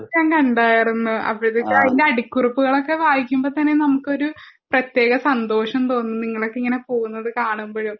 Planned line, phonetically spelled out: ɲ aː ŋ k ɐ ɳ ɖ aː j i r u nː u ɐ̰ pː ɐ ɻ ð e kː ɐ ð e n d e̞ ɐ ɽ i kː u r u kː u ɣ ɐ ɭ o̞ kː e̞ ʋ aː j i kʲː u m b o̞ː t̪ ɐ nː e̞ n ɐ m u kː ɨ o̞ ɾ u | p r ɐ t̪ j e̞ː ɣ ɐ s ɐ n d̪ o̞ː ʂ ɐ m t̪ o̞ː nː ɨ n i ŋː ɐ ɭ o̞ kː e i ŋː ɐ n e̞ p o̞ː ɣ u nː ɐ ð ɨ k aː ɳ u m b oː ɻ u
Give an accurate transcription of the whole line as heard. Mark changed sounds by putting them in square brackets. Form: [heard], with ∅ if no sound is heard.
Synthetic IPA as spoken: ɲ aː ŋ k ɐ ɳ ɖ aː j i r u nː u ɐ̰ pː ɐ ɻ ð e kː ɐ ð [i] n d e̞ ɐ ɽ i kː u r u [pː] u ɣ ɐ ɭ o̞ kː e̞ ʋ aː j i kʲː u m b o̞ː t̪ ɐ nː e̞ n ɐ m u kː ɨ o̞ ɾ u | p r ɐ t̪ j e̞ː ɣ ɐ s ɐ n d̪ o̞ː ʂ ɐ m t̪ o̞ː nː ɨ n i ŋː ɐ ɭ o̞ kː e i ŋː ɐ n e̞ p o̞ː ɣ u nː ɐ ð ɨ k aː ɳ u m b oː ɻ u

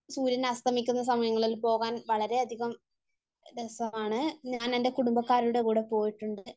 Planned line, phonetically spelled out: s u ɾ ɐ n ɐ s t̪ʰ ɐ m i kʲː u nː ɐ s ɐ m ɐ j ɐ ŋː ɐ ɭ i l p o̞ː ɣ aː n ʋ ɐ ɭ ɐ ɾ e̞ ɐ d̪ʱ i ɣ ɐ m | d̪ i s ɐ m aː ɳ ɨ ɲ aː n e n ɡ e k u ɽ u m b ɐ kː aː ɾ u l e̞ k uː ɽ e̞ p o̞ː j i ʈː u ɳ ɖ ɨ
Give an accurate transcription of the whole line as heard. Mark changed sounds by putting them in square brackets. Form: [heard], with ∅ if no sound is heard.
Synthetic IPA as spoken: s [uː] ɾ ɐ n ɐ s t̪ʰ ɐ m i kʲː u nː ɐ s ɐ m ɐ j ɐ ŋː ɐ ɭ i l p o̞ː ɣ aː n ʋ ɐ ɭ ɐ ɾ e̞ ɐ d̪ʱ i ɣ ɐ m | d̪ [e] s ɐ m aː ɳ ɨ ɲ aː n e n [d] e k u ɽ u m b ɐ kː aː ɾ u [ɽ] e̞ k uː ɽ e̞ p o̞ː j i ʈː u ɳ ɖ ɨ

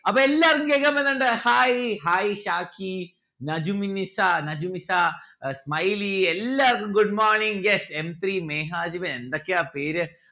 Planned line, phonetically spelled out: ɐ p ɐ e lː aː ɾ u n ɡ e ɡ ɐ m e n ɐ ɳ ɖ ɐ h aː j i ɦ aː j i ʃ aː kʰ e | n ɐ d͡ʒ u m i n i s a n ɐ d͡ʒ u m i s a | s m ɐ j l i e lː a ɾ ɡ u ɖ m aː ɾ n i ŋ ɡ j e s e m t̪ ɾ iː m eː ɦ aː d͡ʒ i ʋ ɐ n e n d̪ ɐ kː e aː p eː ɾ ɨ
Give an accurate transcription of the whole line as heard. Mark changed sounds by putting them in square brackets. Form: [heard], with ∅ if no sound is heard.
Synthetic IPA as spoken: ɐ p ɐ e lː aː ɾ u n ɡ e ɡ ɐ m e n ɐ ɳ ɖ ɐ h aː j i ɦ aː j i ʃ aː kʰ [i] | n ɐ d͡ʒ u m i n i s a n ɐ d͡ʒ u m i s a | s m ɐ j l i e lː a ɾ ɡ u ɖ m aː ɾ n i ŋ ɡ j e s e m t̪ ɾ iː m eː ɦ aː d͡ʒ i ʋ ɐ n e n d̪ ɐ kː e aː p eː ɾ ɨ

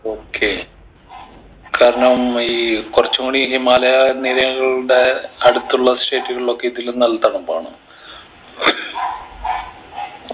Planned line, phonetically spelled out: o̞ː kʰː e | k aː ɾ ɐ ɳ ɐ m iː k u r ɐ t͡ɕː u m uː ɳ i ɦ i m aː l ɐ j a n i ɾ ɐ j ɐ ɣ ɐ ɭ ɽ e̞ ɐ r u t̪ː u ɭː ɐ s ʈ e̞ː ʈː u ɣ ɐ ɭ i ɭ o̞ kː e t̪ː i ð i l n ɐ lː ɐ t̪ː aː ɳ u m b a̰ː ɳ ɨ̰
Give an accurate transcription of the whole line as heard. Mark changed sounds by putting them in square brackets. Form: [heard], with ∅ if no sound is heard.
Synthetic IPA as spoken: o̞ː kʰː e | k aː ɾ ɐ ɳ ɐ m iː k u r ɐ t͡ɕː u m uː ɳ i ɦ i m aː l ɐ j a n i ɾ ɐ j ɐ ɣ ɐ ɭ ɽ e̞ ɐ [ɽ] u t̪ː u ɭː ɐ s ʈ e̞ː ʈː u ɣ ɐ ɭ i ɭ o̞ kː e [∅] i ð i l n ɐ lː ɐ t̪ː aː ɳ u m b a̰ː ɳ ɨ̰

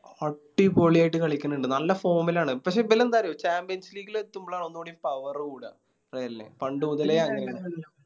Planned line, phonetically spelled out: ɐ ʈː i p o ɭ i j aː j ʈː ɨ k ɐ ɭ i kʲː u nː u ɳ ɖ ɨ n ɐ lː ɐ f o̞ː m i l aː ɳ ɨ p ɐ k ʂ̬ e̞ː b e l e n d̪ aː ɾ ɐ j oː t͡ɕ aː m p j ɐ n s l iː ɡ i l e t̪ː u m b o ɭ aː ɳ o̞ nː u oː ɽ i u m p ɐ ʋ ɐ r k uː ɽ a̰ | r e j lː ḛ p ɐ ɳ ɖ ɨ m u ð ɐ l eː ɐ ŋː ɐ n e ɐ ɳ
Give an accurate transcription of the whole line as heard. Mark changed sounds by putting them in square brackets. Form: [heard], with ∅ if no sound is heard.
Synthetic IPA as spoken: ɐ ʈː i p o ɭ i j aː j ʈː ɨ k ɐ ɭ i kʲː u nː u ɳ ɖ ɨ n ɐ lː ɐ f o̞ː m i l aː ɳ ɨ p ɐ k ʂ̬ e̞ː b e l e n d̪ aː ɾ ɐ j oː t͡ɕ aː m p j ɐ n s l iː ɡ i l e t̪ː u m b o ɭ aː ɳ o̞ nː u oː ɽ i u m p ɐ ʋ ɐ r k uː ɽ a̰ | r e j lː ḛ p ɐ ɳ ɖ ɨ m u ð ɐ l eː ɐ ŋː ɐ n e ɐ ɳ

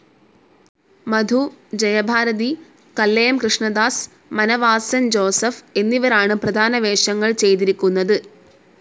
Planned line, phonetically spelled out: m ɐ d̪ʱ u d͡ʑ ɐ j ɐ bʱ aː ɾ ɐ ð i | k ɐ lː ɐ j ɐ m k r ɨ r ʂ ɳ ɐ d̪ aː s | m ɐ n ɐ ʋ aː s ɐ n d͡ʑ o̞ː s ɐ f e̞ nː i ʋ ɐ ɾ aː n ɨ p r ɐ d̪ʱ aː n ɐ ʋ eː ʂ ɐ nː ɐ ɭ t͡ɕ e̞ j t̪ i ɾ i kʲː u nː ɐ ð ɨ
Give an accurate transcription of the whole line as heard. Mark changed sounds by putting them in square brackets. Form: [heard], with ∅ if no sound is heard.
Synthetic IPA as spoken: m ɐ d̪ʱ u d͡ʑ ɐ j ɐ bʱ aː ɾ ɐ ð i | k ɐ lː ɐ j ɐ m k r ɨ [∅] ʂ ɳ ɐ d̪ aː s | m ɐ n ɐ ʋ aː s ɐ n d͡ʑ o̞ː s ɐ f e̞ nː i ʋ ɐ ɾ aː [ɳ] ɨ p r ɐ d̪ʱ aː n ɐ ʋ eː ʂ ɐ [ŋː] ɐ ɭ t͡ɕ e̞ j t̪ i ɾ i kʲː u nː ɐ ð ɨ

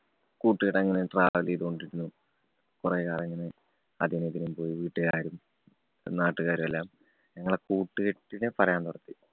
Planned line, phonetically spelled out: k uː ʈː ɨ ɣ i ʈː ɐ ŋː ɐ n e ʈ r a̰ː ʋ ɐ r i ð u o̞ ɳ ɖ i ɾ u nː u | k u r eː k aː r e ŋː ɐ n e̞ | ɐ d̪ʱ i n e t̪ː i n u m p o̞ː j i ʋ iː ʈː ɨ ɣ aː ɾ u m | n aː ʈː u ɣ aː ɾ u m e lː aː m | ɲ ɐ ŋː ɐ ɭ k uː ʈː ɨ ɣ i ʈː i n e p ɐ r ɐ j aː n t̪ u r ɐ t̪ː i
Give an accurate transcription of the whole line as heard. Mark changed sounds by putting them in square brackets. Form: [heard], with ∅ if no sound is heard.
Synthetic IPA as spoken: k uː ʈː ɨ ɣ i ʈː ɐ ŋː ɐ n e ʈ r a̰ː ʋ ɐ [l] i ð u o̞ ɳ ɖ i ɾ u nː u | k u r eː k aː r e ŋː ɐ n e̞ | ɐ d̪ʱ i n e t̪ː i n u m p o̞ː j i ʋ iː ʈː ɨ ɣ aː ɾ u m | n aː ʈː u ɣ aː ɾ u m e lː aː m | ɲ ɐ ŋː ɐ ɭ k uː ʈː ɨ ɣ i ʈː i n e p ɐ r ɐ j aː n t̪ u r ɐ t̪ː i

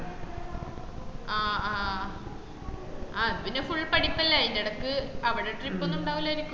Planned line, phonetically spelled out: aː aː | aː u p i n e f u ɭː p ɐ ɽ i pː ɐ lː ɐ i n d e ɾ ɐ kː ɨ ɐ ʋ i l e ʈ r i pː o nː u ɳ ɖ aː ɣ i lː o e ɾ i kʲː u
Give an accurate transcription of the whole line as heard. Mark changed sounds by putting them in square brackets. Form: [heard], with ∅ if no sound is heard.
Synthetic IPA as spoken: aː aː | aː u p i n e f u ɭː p ɐ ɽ i pː ɐ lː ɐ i n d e [ɽ] ɐ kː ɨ ɐ ʋ i [ɽ] e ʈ r i pː o nː u ɳ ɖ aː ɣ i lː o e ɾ i kʲː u

